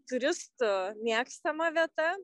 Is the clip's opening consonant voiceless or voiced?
voiceless